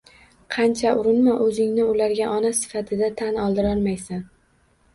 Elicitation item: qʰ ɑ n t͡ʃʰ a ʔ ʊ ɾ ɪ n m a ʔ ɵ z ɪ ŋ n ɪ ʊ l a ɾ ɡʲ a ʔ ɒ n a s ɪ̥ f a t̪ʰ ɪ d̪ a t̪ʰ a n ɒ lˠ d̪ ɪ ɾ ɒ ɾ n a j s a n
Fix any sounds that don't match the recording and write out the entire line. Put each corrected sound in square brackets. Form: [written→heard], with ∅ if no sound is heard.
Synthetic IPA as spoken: qʰ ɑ n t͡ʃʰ a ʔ ʊ ɾ ɪ n m a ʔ ɵ z ɪ ŋ n ɪ ʊ l a ɾ ɡʲ a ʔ ɒ n a s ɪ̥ f a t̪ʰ ɪ d̪ a t̪ʰ a n ɒ lˠ d̪ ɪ ɾ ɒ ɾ [n→m] a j s a n